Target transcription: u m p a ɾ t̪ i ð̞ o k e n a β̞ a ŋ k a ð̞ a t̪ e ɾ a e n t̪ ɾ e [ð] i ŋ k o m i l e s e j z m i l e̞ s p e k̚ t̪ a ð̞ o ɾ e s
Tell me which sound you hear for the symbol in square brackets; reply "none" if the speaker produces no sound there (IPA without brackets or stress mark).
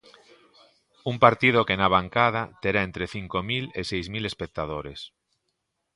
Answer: θ